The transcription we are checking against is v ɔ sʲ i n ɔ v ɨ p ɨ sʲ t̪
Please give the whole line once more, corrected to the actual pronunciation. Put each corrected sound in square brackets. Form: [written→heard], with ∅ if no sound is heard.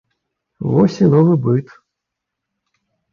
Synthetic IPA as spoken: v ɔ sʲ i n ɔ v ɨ [p→b] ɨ [sʲ→∅] t̪